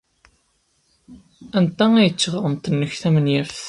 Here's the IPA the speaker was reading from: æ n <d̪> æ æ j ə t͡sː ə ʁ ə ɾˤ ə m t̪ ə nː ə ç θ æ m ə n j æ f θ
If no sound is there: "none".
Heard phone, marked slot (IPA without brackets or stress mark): t̪